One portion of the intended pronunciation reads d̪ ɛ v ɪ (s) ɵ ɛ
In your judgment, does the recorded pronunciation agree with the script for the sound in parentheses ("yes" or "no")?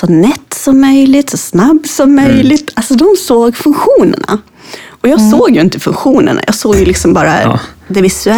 yes